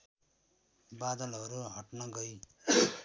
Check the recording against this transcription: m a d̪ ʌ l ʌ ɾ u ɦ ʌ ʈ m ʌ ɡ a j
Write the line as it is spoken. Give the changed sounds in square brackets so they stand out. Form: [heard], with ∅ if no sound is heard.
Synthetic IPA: [b] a d̪ ʌ l ʌ ɾ u ɦ ʌ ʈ [n] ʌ ɡ [ʌ] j